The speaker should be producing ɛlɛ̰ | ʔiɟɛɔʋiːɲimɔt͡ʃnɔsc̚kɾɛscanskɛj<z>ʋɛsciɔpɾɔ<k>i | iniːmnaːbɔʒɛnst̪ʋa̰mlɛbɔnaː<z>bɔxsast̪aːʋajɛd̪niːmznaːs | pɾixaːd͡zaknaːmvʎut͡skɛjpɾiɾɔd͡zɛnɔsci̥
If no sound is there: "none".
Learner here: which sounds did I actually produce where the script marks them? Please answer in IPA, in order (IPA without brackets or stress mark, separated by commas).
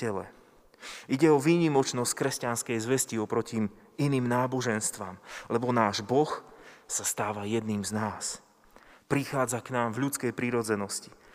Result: z, c, ʒ